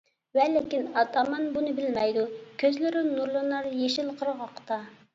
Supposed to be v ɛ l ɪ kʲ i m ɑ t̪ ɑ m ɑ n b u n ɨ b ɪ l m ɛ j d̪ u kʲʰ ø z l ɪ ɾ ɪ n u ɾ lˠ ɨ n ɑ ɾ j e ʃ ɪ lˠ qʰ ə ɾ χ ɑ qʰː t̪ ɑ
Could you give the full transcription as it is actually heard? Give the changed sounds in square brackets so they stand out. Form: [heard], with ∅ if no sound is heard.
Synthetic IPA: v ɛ l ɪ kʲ i [n] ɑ t̪ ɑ m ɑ n b u n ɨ b ɪ l m ɛ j d̪ u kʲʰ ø z l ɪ ɾ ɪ n u ɾ lˠ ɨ n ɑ ɾ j e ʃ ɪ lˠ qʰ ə ɾ [ʁ] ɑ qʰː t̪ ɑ